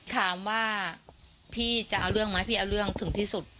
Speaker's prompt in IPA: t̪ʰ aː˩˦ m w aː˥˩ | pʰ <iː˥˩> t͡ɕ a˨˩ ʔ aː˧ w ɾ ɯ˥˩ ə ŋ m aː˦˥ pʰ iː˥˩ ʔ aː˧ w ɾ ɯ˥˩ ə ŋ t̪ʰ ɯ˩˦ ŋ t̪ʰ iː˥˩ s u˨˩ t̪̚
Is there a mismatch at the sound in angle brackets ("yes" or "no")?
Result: no